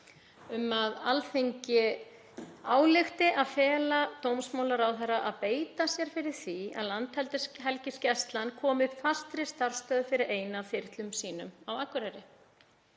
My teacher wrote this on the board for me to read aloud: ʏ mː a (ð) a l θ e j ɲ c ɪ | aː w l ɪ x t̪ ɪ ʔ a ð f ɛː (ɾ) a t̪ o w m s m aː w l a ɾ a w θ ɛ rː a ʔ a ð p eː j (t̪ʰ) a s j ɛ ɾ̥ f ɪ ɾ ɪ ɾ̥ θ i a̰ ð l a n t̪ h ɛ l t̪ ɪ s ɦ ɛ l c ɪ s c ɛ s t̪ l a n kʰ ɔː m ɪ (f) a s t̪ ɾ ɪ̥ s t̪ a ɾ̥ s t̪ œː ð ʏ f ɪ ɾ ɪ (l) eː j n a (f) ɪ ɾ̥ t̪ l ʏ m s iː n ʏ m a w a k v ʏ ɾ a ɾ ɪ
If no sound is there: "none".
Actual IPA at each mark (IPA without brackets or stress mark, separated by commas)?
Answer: ð, l, t̪, f, ɾ, f